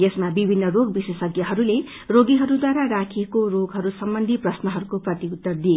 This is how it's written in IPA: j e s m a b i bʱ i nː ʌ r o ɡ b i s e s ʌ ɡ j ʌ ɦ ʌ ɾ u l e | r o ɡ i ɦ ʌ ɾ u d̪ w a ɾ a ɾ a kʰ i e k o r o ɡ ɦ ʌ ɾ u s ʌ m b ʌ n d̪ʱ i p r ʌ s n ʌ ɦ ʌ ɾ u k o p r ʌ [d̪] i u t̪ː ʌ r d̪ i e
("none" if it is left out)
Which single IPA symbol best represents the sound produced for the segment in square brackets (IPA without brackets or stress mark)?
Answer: t̪